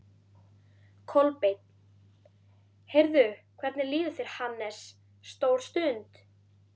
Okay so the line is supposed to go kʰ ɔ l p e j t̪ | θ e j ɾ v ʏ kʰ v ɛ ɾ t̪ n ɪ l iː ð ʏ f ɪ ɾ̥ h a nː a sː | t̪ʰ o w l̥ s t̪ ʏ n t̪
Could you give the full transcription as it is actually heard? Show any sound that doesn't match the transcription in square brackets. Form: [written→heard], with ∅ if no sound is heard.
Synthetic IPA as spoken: kʰ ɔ l p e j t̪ | [θ→h] e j ɾ [v→ð] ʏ kʰ v ɛ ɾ t̪ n ɪ l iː ð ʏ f ɪ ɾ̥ h a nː [a→ɛ] sː | [t̪ʰ→t̪] o w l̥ s t̪ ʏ n t̪